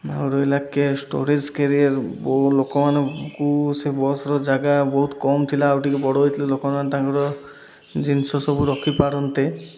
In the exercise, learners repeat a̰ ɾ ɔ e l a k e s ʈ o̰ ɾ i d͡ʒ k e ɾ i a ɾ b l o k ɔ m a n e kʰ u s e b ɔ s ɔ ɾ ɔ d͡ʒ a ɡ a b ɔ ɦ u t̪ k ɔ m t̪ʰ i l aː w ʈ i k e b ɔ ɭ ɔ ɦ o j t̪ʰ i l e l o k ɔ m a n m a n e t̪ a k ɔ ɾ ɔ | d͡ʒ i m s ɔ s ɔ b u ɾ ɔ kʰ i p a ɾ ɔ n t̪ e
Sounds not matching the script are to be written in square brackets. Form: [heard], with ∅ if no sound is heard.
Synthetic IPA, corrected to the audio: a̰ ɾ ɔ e l a k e s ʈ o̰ ɾ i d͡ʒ k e ɾ i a ɾ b l o k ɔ m a n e [k] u s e b ɔ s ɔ ɾ ɔ d͡ʒ a ɡ a b ɔ ɦ u t̪ k ɔ m t̪ʰ i l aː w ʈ i k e b ɔ [ɽ] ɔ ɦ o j t̪ʰ i l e l o k ɔ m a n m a n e t̪ a k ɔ ɾ ɔ | d͡ʒ i [n] s ɔ s ɔ b u ɾ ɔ kʰ i p a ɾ ɔ n t̪ e

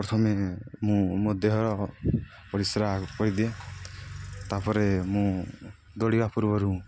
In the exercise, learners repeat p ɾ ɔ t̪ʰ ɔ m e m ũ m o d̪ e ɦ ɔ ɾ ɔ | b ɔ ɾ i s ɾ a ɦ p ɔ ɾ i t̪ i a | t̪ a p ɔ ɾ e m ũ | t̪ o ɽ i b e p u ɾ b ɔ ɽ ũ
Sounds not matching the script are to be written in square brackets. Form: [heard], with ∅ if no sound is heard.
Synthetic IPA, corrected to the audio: p ɾ ɔ t̪ʰ ɔ m e m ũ m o d̪ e ɦ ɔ ɾ ɔ | [p] ɔ ɾ i s ɾ a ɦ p ɔ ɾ i [d̪] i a | t̪ a p ɔ ɾ e m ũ | [d̪] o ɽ i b [a] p u ɾ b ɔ [ɾ] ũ

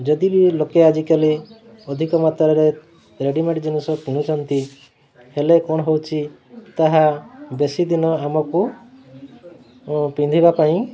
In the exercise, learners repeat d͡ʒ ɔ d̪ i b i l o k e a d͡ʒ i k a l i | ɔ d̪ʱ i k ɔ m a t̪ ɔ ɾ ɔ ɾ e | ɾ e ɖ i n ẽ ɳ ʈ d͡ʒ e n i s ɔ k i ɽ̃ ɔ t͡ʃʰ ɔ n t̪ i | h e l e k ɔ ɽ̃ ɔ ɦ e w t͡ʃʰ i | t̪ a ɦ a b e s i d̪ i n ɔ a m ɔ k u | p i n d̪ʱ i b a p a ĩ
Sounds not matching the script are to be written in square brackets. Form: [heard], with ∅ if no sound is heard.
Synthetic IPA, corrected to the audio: d͡ʒ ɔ d̪ i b i l o k e a d͡ʒ i k a l i | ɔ d̪ʱ i k ɔ m a t̪ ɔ ɾ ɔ ɾ e | ɾ e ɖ i [m] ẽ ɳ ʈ d͡ʒ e n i s ɔ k i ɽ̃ [u] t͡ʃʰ ɔ n t̪ i | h e l e k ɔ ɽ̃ ɔ ɦ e w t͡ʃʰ i | t̪ a ɦ a b e s i d̪ i n ɔ a m ɔ k u | p i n d̪ʱ i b a p a ĩ

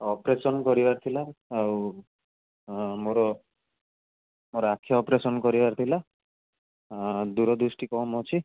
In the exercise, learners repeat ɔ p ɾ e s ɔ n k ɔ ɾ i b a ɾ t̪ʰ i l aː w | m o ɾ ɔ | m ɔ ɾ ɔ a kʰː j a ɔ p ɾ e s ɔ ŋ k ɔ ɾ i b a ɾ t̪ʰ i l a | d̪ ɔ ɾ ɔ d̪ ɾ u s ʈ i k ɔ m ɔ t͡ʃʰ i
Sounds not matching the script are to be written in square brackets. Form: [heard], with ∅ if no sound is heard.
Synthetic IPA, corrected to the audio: ɔ p ɾ e s ɔ n k ɔ ɾ i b a ɾ t̪ʰ i l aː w | m o ɾ ɔ | m [o] ɾ ɔ a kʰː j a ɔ p ɾ e s ɔ [n] k ɔ ɾ i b a ɾ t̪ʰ i l a | d̪ [u] ɾ ɔ d̪ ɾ u s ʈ i k ɔ m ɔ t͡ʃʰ i

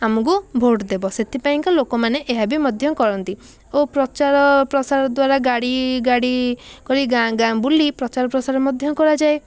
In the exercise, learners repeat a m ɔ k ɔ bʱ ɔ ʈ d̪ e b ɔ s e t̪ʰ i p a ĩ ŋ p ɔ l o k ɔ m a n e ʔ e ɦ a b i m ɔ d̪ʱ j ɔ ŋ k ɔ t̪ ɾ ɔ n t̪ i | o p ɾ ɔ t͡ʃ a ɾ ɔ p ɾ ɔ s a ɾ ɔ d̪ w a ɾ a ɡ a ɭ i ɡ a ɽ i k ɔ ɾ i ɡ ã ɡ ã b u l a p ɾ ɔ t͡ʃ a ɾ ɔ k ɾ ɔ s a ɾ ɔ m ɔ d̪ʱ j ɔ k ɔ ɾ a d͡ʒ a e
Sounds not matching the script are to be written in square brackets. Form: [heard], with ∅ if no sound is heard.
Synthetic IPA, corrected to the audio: a m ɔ k [u] bʱ [o] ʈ d̪ e b ɔ s e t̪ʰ i p a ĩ ŋ [k] ɔ l o k ɔ m a n e ʔ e ɦ a b i m ɔ d̪ʱ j ɔ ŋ k ɔ [∅] ɾ ɔ n t̪ i | o p ɾ ɔ t͡ʃ a ɾ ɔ p ɾ ɔ s a ɾ ɔ d̪ w a ɾ a ɡ a [ɽ] i ɡ a ɽ i k ɔ ɾ i ɡ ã ɡ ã b u l [i] p ɾ ɔ t͡ʃ a ɾ ɔ [p] ɾ ɔ s a ɾ ɔ m ɔ d̪ʱ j ɔ k ɔ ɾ a d͡ʒ a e

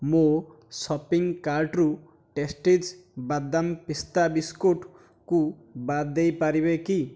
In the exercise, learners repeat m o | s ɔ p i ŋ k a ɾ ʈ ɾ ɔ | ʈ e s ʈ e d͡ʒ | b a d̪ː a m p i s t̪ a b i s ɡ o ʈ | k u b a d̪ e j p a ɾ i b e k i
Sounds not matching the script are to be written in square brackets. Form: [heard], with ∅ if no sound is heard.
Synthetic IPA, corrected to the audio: m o | s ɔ p i ŋ k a ɾ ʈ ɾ [u] | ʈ e s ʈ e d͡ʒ | b a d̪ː a m p i s t̪ a b i s [k] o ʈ | k u b a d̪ e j p a ɾ i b e k i

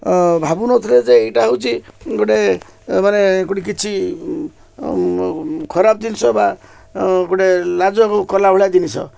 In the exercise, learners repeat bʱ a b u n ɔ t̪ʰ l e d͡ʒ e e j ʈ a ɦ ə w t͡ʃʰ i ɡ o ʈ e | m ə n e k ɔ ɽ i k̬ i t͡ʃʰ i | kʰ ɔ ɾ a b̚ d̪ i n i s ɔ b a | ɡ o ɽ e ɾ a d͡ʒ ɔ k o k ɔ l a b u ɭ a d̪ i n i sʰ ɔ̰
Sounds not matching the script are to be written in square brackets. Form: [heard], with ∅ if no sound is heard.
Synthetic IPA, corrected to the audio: bʱ a b u n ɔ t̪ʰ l e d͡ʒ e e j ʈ a ɦ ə w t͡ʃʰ i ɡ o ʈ e | m [a] n e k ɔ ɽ i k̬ i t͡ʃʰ i | kʰ ɔ ɾ a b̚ d̪ i n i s ɔ b a | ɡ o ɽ e [l] a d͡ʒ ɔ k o k ɔ l a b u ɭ a d̪ i n i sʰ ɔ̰

